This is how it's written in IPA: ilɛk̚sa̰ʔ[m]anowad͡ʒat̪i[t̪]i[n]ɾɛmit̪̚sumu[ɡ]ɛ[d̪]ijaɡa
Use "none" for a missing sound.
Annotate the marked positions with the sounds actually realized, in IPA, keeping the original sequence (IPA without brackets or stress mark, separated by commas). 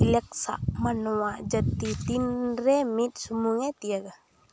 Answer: m, t̪, n, ŋ, t̪